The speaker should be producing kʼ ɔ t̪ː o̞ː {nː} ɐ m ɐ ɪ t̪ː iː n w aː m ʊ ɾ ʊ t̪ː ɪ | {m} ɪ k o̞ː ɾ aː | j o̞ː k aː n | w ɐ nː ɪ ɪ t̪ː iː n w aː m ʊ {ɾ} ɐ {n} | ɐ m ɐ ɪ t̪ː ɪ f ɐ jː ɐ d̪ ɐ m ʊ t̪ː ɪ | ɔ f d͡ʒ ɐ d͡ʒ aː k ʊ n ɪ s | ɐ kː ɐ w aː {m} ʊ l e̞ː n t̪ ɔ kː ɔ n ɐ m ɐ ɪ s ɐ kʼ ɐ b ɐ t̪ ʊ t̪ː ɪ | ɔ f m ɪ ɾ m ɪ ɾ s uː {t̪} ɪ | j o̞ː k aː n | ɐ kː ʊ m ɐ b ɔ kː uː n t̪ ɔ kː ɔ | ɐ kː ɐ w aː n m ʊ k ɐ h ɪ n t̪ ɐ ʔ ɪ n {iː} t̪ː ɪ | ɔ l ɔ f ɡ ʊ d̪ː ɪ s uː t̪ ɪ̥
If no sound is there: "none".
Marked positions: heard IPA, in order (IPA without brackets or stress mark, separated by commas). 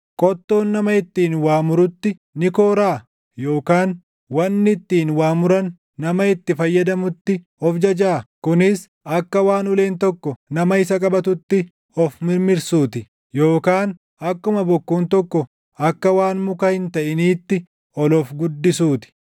nː, n, ɾ, nː, n, t̪, iː